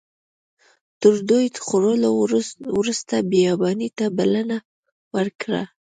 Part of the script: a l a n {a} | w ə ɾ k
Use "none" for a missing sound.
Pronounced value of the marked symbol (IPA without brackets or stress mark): a